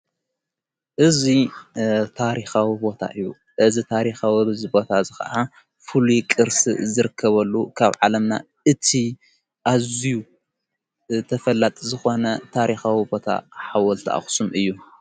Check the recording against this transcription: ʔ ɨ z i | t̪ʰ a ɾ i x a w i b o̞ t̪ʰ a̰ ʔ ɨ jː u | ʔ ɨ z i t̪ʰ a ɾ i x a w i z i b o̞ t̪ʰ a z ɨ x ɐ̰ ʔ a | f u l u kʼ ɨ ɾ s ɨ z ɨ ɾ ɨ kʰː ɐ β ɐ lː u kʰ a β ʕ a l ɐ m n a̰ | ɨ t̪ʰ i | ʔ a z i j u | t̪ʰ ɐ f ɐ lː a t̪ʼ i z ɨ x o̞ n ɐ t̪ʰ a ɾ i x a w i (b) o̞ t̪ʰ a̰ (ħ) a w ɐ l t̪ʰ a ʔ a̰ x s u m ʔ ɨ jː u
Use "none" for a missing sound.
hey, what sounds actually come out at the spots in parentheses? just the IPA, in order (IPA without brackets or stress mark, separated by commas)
b, ħ